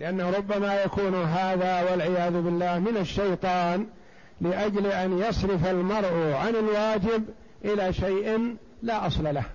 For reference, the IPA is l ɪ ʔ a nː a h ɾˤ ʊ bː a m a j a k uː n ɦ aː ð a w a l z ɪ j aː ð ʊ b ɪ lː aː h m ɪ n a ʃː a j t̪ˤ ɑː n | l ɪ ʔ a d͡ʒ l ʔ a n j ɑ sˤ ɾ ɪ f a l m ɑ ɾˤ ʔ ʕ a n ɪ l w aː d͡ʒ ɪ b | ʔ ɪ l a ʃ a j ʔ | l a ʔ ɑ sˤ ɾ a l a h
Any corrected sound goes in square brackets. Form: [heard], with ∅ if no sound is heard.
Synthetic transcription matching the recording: l ɪ ʔ a nː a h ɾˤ ʊ bː a m a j a k uː n ɦ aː ð a w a l [ʕ] ɪ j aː ð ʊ b ɪ lː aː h m ɪ n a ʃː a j t̪ˤ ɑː n | l ɪ ʔ a d͡ʒ l ʔ a n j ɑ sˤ ɾ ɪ f a l m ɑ ɾˤ ʔ ʕ a n ɪ l w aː d͡ʒ ɪ b | ʔ ɪ l a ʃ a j ʔ | l a ʔ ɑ sˤ [l] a l a h